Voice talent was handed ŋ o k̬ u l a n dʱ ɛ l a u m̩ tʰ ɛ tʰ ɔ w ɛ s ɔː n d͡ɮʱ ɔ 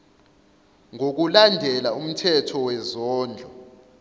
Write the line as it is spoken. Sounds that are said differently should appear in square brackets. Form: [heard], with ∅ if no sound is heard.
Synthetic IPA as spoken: ŋ o k̬ u l a n dʱ ɛ l a u m̩ tʰ ɛ tʰ ɔ w ɛ [z] ɔː n d͡ɮʱ ɔ